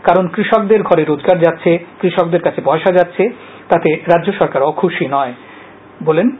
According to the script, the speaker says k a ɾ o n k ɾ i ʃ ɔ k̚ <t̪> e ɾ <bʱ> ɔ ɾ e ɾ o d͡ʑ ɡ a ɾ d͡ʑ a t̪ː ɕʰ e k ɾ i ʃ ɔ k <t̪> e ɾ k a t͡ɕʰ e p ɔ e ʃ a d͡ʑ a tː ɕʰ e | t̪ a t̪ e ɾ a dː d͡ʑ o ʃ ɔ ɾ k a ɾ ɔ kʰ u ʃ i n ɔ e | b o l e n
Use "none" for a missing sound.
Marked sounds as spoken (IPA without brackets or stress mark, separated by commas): d̪, ɡʱ, d̪